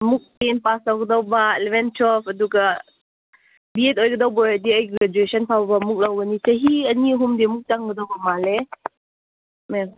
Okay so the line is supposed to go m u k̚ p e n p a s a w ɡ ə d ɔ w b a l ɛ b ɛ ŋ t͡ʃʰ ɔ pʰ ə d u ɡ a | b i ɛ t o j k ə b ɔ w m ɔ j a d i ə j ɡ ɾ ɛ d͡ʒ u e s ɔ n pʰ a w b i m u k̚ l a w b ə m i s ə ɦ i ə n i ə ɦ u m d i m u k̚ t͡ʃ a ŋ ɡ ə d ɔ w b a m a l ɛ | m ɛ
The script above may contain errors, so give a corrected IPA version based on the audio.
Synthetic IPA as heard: m u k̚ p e n p a s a w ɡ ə d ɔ w b a l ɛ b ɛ n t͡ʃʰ ɔ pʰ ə d u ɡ a | b i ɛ t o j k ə d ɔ w b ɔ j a d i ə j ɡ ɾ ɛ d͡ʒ u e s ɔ n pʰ a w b a m u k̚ l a w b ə n i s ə ɦ i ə n i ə ɦ u m d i m u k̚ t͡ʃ a ŋ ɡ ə d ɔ w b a m a l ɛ | m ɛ